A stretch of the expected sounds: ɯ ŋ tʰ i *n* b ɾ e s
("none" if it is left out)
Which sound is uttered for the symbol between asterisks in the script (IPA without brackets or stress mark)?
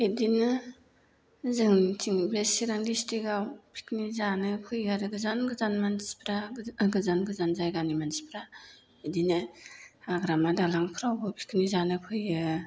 ŋ